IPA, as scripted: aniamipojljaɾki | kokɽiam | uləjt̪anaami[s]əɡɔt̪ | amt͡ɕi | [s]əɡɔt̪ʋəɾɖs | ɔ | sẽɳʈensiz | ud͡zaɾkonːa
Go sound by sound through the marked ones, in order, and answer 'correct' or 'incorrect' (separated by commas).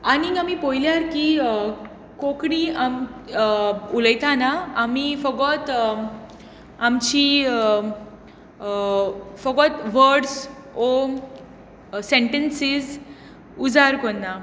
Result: incorrect, incorrect